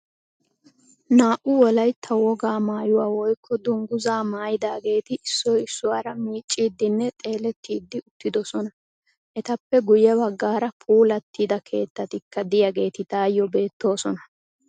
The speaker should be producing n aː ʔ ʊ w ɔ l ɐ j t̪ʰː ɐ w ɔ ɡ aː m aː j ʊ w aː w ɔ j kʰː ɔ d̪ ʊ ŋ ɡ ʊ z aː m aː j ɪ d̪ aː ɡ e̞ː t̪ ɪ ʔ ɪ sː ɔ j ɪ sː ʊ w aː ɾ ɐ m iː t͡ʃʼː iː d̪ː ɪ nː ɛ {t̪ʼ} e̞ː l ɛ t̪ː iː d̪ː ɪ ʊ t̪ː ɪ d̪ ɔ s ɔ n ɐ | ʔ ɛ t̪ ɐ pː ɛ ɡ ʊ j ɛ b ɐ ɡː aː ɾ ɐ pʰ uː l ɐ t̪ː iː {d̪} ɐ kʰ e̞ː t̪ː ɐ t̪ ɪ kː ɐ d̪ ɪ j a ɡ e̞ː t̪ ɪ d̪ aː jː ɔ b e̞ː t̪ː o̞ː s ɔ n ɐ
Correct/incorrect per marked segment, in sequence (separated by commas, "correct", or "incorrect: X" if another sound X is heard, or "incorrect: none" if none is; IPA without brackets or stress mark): correct, correct